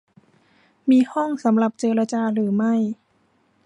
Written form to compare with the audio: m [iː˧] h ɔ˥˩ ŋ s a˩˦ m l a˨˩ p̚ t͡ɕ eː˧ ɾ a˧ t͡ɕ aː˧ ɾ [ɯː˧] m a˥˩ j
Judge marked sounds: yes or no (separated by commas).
yes, no